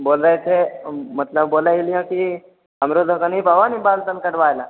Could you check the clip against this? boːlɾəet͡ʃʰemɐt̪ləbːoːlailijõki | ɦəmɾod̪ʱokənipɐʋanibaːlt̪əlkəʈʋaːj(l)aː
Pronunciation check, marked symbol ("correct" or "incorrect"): correct